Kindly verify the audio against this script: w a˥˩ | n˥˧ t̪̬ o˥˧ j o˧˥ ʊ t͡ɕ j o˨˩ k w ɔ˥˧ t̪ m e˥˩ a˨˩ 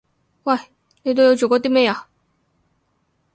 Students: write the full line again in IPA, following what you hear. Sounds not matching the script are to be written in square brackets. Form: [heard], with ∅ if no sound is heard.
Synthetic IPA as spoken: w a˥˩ | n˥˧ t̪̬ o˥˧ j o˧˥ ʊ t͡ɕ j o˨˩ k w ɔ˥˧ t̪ m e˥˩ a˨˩